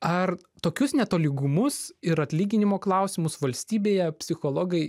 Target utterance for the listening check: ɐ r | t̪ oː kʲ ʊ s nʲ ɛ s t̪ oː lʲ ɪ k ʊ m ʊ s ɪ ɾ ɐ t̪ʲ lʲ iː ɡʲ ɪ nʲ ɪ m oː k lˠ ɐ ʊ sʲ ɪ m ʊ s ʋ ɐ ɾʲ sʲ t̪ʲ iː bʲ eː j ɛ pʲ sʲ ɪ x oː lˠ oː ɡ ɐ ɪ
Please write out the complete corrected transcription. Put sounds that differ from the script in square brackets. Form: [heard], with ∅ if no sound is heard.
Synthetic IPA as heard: ɐ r | t̪ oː kʲ ʊ s nʲ ɛ [∅] t̪ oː lʲ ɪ [ɡ] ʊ m ʊ s ɪ ɾ ɐ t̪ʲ lʲ iː ɡʲ ɪ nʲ ɪ m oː k lˠ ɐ ʊ sʲ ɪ m ʊ s ʋ ɐ [lʲ] sʲ t̪ʲ iː bʲ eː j ɛ pʲ sʲ ɪ x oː lˠ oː ɡ ɐ ɪ